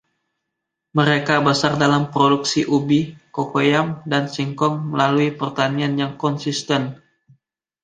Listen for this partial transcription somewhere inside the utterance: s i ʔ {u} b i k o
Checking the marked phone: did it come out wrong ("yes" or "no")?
no